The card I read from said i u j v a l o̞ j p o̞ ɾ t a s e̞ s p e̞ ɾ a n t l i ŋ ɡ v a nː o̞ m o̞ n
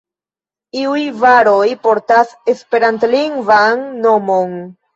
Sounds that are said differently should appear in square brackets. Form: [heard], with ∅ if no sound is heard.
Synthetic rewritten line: i u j v a [ɾ] o̞ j p o̞ ɾ t a s e̞ s p e̞ ɾ a n t l i ŋ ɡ v a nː o̞ m o̞ n